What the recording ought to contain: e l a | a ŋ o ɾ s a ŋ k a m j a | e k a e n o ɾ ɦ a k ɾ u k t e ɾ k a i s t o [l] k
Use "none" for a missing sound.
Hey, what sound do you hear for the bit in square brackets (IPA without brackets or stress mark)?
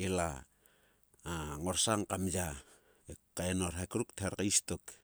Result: none